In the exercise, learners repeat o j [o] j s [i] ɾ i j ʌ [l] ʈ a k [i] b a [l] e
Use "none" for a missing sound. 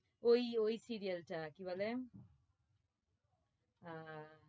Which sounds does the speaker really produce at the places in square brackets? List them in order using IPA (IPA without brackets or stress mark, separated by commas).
o, i, l, i, l